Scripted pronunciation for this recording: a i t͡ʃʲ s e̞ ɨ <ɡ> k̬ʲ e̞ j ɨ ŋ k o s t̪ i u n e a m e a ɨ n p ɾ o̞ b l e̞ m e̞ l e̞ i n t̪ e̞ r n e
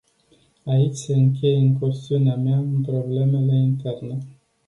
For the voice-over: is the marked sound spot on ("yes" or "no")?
no